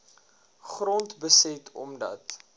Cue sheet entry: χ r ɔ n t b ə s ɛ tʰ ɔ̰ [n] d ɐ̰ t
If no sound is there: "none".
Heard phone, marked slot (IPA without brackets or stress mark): m